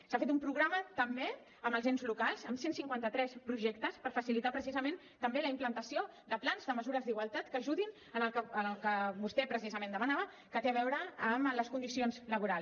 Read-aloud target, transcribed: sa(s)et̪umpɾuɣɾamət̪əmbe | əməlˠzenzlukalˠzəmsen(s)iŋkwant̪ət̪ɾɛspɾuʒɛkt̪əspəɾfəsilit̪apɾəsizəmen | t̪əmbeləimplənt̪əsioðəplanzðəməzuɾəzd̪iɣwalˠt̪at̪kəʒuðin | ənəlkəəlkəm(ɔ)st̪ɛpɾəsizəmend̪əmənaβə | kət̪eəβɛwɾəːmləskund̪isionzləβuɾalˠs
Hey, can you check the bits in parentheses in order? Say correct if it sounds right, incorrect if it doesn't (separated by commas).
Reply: incorrect, correct, incorrect